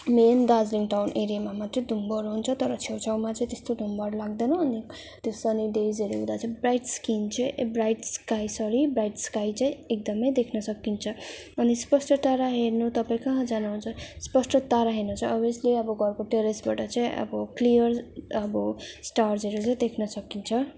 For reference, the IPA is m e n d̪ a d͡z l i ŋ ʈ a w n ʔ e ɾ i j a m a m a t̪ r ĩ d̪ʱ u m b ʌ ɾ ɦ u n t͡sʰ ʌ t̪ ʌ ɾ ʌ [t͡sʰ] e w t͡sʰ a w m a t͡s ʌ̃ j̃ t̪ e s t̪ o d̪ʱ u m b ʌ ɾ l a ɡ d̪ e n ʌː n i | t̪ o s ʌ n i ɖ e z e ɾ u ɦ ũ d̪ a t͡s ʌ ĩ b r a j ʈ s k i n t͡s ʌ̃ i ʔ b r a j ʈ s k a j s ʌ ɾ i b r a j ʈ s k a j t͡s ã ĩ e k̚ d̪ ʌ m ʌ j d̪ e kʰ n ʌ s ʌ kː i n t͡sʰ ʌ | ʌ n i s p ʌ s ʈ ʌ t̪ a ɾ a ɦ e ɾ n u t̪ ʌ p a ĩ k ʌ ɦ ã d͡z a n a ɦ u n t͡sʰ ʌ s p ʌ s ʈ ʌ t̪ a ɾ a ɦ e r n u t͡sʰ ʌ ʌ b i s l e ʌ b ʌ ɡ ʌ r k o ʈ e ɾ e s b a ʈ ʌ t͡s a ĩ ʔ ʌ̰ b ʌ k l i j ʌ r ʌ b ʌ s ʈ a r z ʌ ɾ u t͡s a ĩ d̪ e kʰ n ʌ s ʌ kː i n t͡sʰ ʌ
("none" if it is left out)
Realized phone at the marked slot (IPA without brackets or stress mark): t͡sʰ